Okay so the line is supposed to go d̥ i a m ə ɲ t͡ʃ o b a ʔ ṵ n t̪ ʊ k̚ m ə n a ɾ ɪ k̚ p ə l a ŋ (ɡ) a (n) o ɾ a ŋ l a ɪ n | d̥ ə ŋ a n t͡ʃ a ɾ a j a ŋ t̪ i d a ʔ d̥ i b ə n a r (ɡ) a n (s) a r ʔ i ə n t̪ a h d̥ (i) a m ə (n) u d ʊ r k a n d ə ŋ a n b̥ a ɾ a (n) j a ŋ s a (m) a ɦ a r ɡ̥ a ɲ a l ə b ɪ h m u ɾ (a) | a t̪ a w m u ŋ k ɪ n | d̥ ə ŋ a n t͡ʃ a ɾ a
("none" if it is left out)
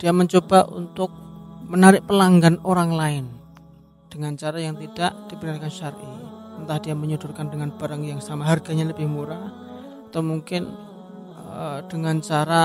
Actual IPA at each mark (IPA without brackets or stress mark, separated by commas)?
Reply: ɡ, n, k, ʃ, i, ɲ, ŋ, m, a